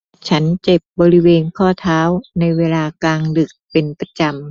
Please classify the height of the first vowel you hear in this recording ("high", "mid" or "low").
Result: low